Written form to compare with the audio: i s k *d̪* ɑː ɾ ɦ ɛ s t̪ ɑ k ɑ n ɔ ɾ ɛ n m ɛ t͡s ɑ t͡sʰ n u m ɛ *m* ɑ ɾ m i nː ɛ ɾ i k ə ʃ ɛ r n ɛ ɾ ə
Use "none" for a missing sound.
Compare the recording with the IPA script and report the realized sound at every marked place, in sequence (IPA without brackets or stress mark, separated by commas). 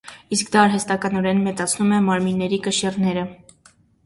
d̪, m